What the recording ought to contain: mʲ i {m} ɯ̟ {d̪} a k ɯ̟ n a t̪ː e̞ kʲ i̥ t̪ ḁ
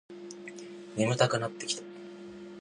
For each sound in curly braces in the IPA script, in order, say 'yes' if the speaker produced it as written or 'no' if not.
yes, no

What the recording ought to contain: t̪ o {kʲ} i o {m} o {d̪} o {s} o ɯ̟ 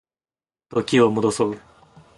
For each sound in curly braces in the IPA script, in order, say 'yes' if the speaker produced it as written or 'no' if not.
yes, yes, yes, yes

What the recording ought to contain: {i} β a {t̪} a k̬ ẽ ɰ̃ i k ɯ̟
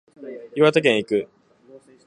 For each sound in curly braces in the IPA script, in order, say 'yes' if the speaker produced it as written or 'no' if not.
yes, yes

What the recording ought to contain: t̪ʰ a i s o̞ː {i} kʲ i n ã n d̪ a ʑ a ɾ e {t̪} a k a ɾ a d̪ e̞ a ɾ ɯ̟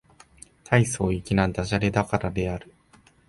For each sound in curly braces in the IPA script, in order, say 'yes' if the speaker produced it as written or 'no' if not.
yes, no

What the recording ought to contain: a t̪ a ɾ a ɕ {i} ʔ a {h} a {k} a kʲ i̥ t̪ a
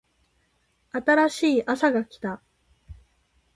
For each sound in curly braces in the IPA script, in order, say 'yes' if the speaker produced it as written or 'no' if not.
no, no, no

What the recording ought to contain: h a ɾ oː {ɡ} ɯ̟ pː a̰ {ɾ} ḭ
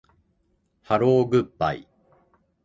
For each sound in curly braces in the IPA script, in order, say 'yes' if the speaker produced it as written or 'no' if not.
yes, no

